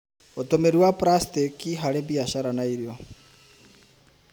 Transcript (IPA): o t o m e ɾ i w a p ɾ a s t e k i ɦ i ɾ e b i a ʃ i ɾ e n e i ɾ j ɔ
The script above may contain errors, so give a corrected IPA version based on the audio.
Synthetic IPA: o t o m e ɾ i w a p ɾ a s t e k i ɦ a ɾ e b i a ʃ a ɾ a n a i ɾ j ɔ